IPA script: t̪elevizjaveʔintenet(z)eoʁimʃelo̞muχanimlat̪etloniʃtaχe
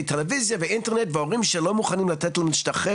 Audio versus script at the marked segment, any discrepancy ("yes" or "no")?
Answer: yes